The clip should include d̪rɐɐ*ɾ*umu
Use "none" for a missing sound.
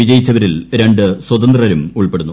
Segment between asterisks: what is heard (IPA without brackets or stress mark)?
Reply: ɾ